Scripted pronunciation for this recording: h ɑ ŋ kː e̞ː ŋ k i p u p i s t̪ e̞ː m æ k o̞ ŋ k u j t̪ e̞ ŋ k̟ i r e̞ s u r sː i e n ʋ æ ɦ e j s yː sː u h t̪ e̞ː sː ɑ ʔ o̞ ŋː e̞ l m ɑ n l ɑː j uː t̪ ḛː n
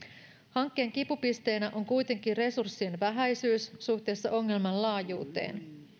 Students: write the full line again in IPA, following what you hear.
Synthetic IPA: h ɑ ŋ kː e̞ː ŋ k i p u p i s t̪ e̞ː n æ ʔ o̞ ŋ k u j t̪ e̞ ŋ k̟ i r e̞ s u r sː i e n ʋ æ ɦ æ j s yː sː u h t̪ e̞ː sː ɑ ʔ o̞ ŋː e̞ l m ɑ n l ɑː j uː t̪ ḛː n